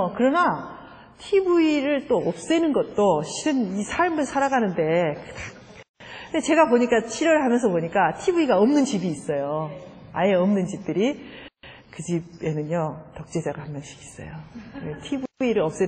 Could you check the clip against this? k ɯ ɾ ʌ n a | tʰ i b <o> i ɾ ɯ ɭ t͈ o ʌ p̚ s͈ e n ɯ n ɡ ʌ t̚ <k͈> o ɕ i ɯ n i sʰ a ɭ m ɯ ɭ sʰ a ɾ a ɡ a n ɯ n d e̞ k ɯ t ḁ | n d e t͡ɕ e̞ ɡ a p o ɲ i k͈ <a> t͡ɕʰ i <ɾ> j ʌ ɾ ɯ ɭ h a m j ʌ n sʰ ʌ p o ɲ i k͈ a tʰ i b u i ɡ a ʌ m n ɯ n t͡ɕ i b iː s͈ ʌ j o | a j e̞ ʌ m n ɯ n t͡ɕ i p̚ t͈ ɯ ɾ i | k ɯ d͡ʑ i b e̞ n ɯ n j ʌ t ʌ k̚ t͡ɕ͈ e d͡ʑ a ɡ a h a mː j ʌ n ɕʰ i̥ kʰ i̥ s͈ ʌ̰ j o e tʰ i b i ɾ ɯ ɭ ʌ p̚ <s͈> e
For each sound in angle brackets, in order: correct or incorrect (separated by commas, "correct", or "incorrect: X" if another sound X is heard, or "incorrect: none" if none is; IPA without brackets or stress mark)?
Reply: incorrect: u, incorrect: t͈, correct, correct, correct